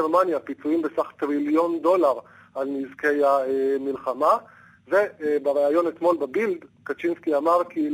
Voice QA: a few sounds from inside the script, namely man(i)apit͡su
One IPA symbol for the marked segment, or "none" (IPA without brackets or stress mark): j